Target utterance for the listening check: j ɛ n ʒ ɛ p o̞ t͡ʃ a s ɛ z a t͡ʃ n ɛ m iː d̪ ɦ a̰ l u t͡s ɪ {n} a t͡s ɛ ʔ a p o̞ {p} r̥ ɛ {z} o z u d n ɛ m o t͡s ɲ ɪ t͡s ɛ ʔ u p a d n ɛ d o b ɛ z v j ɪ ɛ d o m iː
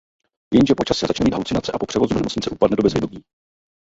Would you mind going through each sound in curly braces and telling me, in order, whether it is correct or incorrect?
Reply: correct, correct, incorrect: v

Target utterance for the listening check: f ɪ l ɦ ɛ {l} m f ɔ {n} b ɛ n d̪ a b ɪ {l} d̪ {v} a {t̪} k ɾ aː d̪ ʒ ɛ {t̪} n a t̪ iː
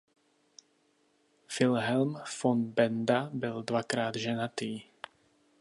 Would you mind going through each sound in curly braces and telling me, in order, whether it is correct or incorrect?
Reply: correct, correct, correct, correct, incorrect: none, incorrect: none

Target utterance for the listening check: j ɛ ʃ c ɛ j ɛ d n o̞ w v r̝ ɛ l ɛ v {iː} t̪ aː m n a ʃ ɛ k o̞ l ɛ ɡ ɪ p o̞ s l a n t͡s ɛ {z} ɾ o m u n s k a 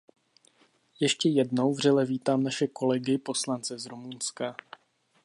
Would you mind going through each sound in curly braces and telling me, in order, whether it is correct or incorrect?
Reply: correct, correct

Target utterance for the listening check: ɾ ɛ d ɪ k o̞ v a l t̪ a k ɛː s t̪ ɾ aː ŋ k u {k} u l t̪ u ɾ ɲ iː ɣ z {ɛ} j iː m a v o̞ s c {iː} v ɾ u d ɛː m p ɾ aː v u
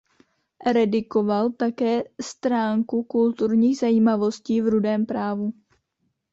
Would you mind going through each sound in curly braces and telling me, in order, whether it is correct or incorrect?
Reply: correct, incorrect: a, correct

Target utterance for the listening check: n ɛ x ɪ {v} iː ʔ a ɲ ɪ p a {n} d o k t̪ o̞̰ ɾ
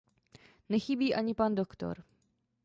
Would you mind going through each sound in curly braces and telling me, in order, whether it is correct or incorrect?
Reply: incorrect: b, correct

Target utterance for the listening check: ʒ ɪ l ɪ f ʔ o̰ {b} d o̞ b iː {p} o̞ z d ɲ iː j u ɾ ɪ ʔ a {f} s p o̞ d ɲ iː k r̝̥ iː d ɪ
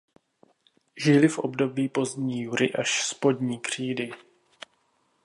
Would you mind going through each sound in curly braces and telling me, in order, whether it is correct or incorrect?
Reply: correct, correct, incorrect: ʃ

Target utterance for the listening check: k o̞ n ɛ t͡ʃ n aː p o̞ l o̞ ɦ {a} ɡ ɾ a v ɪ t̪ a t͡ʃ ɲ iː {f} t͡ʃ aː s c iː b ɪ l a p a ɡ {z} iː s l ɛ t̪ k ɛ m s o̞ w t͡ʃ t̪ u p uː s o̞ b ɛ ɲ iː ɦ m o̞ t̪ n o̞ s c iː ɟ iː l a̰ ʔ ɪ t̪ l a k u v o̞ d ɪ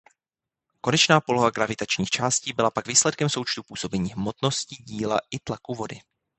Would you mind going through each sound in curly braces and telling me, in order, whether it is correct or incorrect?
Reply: correct, incorrect: x, incorrect: v

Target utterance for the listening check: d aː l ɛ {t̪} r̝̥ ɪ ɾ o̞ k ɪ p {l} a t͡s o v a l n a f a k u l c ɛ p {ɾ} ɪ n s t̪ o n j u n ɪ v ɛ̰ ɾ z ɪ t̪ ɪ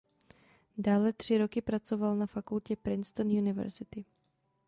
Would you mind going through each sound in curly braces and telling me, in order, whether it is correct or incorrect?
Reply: correct, incorrect: ɾ, correct

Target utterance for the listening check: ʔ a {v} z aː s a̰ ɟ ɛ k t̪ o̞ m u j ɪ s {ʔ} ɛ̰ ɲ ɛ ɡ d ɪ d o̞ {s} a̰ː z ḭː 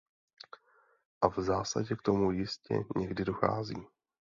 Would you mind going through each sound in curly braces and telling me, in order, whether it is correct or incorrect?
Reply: correct, incorrect: c, incorrect: x

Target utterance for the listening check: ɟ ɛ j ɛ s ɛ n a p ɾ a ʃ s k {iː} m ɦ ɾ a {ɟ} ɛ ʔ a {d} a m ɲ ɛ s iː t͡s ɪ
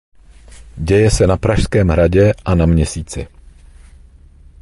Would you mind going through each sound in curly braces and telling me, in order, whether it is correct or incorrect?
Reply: incorrect: ɛː, correct, incorrect: n

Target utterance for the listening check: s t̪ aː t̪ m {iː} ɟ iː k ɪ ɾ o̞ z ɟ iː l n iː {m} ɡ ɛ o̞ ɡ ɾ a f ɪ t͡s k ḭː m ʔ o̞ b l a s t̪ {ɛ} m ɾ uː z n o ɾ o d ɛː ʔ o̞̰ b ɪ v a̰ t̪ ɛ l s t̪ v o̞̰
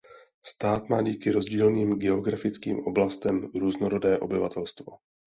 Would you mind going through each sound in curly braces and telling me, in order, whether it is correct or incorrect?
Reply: incorrect: aː, correct, correct

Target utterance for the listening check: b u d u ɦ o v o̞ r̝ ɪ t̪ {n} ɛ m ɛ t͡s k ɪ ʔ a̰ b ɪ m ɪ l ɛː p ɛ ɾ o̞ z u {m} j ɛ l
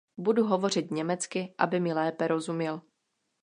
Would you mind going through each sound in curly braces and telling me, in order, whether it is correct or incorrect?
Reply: incorrect: ɲ, correct

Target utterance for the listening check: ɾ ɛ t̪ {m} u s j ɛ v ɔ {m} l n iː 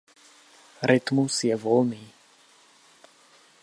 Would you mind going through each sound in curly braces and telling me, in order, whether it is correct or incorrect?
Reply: correct, incorrect: none

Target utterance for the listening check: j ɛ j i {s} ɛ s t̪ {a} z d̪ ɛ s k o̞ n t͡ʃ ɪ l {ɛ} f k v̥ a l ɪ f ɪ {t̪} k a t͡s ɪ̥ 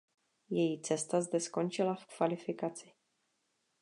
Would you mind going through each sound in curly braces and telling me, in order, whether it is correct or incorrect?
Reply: incorrect: t͡s, correct, incorrect: a, incorrect: none

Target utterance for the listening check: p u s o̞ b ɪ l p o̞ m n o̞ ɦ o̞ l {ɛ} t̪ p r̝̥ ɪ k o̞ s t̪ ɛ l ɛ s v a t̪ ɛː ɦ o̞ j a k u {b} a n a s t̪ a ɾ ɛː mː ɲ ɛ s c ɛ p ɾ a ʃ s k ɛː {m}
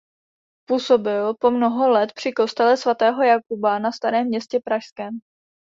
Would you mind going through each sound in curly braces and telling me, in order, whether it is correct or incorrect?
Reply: correct, correct, correct

